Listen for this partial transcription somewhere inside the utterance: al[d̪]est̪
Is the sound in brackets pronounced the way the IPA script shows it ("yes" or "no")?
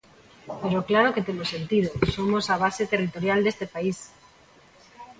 yes